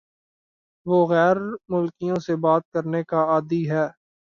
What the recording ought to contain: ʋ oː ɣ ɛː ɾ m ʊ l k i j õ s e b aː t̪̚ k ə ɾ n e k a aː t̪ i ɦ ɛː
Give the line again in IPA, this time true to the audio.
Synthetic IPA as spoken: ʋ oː ɣ ɛː ɾ m ʊ l k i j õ s e b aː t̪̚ k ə ɾ n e k a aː d̪ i ɦ ɛː